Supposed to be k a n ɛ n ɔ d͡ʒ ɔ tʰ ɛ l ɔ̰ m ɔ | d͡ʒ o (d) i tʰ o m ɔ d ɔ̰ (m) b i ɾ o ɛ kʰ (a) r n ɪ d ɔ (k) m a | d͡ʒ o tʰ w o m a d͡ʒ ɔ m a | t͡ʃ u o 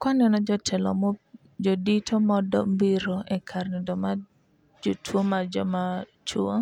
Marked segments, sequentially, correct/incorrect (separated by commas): correct, correct, correct, incorrect